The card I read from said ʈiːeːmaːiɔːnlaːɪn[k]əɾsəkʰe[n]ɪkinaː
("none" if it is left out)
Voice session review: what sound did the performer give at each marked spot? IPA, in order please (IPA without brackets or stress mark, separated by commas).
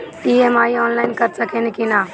k, n